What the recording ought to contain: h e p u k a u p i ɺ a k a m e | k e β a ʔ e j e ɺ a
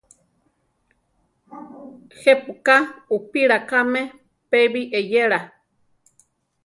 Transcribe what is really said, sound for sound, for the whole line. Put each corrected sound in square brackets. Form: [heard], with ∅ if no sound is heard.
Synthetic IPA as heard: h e p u k a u p i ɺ a k a m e | [p] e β [i] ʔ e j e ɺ a